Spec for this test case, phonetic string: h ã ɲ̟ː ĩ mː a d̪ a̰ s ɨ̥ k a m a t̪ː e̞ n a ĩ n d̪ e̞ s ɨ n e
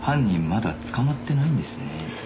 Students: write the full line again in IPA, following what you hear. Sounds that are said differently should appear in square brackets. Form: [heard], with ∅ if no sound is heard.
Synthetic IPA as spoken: h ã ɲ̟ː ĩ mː a d̪ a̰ [t͡s] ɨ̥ k a m a t̪ː e̞ n a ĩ n d̪ e̞ s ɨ n e